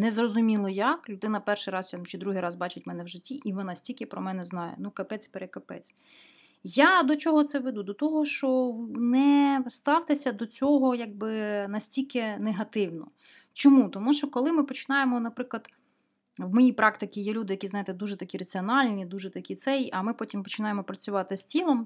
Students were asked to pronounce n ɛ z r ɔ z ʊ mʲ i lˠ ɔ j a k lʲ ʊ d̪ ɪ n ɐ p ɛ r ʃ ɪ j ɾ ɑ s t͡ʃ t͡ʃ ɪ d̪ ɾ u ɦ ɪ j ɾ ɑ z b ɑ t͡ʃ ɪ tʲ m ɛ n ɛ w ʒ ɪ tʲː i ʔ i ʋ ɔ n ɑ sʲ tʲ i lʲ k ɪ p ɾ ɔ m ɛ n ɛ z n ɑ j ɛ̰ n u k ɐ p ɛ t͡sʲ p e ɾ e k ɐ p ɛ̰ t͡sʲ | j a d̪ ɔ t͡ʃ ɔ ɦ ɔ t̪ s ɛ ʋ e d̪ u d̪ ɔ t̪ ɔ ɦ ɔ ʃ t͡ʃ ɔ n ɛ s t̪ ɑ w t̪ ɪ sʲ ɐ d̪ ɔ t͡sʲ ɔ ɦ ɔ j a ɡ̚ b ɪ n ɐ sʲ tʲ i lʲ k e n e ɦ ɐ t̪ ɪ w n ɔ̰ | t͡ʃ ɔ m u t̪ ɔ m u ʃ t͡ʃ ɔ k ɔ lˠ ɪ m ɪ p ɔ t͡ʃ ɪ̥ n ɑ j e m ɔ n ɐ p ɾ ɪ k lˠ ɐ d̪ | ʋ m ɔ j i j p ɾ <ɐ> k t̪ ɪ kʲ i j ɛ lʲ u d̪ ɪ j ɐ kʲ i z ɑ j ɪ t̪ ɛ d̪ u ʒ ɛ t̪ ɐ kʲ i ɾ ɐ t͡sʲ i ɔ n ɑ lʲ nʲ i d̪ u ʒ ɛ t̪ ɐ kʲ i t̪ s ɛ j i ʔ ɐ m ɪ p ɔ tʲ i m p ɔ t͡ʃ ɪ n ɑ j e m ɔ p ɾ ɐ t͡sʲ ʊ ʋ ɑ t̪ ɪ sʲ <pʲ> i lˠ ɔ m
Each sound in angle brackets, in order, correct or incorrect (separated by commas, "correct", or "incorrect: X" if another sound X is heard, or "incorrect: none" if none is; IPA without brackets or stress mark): incorrect: ɑ, incorrect: tʲ